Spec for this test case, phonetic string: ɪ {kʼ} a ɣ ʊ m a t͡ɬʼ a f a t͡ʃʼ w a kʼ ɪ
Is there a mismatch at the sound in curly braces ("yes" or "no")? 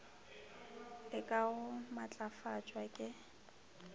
no